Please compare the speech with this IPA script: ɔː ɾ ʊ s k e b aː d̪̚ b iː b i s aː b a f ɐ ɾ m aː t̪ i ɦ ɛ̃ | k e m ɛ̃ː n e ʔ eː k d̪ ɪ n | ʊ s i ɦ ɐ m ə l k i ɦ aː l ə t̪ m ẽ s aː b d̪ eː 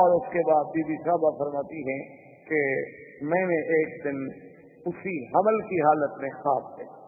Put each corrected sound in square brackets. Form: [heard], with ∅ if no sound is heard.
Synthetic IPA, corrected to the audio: ɔː ɾ ʊ s k e b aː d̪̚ b iː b i s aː b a f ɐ ɾ m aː t̪ i ɦ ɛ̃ | k e m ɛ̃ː n e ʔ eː k d̪ ɪ n | ʊ s i ɦ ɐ m ə l k i ɦ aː l ə t̪ m ẽ [x] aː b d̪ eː